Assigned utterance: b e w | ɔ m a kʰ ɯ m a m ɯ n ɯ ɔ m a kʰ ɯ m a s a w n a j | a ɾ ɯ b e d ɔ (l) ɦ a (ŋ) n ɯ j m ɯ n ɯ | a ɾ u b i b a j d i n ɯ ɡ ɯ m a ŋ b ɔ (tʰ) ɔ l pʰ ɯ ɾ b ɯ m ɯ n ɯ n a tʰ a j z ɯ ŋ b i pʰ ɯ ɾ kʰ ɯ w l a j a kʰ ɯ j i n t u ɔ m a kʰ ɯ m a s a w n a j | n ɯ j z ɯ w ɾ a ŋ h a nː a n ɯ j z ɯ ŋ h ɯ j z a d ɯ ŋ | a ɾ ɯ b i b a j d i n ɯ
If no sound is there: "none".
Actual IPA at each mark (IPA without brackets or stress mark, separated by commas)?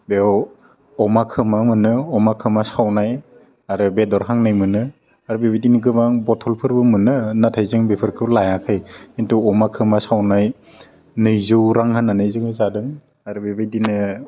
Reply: ɾ, ŋ, tʰ